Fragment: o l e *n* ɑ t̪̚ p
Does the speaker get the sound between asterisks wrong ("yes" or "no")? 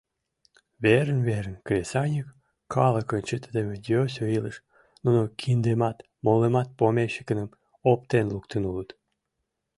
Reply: yes